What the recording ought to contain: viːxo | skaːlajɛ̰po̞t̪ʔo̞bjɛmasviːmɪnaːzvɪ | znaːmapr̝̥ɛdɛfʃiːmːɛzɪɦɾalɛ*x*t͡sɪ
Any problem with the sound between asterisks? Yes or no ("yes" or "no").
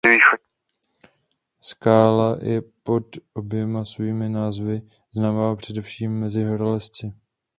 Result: yes